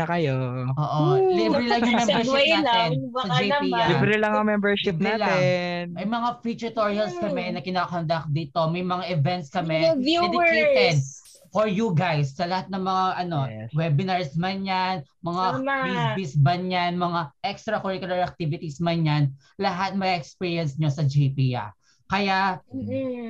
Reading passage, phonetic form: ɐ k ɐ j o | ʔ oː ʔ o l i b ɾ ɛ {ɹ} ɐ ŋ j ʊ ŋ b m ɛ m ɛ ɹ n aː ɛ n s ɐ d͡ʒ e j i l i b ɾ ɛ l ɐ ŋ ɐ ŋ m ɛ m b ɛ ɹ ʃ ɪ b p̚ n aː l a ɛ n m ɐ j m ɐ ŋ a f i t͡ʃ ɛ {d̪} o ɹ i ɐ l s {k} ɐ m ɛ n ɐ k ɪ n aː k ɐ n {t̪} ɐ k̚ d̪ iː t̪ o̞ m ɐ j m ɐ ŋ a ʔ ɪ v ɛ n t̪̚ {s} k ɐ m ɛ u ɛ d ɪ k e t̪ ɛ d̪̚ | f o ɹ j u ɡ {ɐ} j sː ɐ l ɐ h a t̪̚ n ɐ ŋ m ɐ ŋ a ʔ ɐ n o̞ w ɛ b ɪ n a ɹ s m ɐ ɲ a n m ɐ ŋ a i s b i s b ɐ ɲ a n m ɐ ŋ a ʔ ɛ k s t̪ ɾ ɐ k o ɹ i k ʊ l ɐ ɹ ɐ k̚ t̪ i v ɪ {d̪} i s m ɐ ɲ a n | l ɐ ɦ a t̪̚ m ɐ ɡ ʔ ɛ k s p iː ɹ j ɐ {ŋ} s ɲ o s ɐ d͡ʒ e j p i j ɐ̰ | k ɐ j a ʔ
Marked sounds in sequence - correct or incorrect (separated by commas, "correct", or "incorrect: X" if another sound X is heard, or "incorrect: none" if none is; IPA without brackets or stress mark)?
incorrect: l, incorrect: t̪, correct, incorrect: d̪, correct, incorrect: a, incorrect: t̪, incorrect: n